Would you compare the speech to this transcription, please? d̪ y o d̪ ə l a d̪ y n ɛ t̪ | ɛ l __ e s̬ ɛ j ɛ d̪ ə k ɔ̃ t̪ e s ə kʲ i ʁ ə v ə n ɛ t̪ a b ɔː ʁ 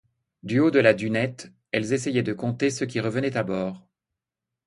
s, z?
z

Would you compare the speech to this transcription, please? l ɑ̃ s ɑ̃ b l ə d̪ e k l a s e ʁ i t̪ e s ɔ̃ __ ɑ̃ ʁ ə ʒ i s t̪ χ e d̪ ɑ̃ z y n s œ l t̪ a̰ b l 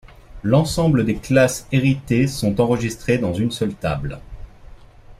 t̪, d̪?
t̪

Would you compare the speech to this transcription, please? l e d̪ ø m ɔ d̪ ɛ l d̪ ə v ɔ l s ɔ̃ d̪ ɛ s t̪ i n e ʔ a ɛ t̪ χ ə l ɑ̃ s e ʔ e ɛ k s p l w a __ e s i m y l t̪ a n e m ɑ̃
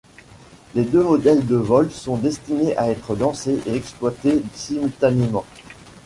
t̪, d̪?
t̪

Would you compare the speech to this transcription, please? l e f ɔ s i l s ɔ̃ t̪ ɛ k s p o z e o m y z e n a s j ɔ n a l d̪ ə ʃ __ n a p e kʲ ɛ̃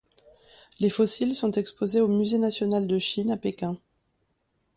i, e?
i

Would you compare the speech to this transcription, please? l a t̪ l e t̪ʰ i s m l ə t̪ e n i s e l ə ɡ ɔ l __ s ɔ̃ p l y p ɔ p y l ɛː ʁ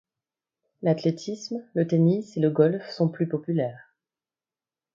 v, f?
f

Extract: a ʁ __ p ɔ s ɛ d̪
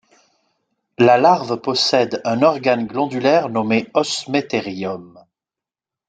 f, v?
v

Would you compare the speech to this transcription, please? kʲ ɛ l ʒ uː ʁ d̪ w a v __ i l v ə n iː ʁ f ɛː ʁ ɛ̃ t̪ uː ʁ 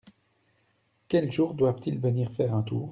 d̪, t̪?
t̪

